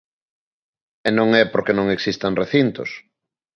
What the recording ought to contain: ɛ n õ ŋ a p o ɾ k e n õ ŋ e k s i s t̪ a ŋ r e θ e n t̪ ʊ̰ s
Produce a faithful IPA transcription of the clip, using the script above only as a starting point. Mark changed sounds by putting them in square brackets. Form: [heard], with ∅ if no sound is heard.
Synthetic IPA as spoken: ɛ n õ ŋ [ɛ] p o ɾ k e n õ ŋ e k s i s t̪ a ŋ r e θ [i] n t̪ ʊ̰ s